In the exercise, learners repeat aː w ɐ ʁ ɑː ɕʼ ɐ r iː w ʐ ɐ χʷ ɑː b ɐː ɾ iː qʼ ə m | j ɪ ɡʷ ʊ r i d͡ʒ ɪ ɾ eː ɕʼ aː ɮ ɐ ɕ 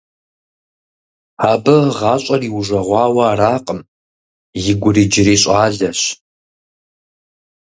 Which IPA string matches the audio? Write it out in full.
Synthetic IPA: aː b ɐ ʁ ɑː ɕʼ ɐ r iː w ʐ ɐ ʁʷ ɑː w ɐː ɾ aː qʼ ə m | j ɪ ɡʷ ʊ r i d͡ʒ ɪ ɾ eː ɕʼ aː ɮ ɐ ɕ